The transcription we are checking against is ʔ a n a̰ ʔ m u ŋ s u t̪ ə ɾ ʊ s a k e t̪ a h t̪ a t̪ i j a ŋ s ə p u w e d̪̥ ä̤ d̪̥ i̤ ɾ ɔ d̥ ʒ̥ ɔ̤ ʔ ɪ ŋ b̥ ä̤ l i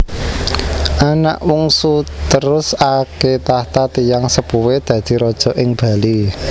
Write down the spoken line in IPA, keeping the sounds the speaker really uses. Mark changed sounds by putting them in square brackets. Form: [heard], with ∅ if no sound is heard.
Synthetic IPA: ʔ a n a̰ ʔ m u ŋ s u t̪ ə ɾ ʊ s a k e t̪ a h t̪ a t̪ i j a ŋ s ə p u w e d̪̥ ä̤ d̪̥ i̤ ɾ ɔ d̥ ʒ̥ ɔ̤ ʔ ɪ ŋ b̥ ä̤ l i